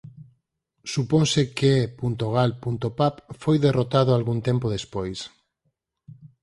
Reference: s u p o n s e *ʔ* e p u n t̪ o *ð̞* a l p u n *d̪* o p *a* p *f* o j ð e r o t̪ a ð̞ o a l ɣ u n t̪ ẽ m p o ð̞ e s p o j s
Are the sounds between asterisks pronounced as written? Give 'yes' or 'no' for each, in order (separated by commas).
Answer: no, no, no, yes, yes